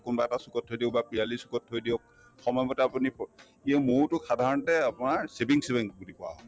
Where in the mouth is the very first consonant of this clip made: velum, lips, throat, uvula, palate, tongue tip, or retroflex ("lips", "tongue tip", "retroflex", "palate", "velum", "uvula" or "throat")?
velum